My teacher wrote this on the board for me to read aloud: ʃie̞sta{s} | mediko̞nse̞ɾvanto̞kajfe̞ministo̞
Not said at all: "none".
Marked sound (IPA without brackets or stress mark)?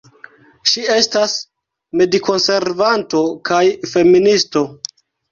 s